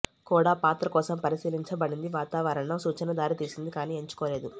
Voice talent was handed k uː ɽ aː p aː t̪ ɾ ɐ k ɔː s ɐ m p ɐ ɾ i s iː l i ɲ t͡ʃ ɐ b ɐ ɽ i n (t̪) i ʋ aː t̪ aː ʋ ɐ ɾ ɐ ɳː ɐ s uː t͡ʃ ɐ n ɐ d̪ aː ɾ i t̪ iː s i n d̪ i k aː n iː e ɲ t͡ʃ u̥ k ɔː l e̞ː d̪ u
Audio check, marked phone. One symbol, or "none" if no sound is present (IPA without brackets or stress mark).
d̪